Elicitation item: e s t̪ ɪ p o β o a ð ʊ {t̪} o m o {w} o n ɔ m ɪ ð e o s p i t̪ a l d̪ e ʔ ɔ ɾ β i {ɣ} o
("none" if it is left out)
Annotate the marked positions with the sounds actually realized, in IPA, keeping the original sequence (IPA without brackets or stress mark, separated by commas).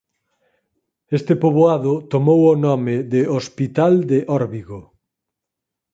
t̪, w, ɣ